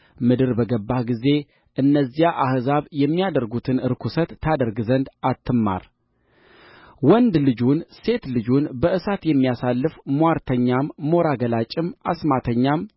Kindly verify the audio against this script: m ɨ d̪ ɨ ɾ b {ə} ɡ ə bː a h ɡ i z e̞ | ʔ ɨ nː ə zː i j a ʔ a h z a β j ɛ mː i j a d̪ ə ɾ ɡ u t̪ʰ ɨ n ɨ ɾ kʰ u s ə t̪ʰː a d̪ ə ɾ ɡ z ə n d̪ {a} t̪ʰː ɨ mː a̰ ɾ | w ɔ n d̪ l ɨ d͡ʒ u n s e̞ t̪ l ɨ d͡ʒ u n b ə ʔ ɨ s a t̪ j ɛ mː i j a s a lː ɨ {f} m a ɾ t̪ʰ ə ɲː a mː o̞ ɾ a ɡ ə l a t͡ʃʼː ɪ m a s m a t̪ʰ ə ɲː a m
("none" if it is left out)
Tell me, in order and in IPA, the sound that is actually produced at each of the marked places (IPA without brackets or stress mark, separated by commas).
ə, a, f